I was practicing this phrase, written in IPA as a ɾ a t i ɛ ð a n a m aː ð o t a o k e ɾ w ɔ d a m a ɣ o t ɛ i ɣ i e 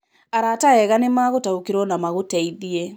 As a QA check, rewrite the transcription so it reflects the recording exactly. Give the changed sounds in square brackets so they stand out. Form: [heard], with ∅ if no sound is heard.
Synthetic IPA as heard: a ɾ a t [a] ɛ [ɣ] a n [e] m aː [ɣ] o t a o k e ɾ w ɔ [n] a m a ɣ o t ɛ i [ð] i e